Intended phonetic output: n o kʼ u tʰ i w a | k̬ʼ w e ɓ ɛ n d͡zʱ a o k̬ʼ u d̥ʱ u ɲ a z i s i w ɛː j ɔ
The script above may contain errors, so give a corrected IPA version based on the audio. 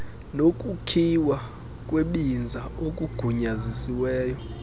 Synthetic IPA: n o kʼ u kʰ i w a | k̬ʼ w e ɓ i n d͡zʱ a o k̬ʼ u ɡ̥ʱ u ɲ a z i s i w ɛː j ɔ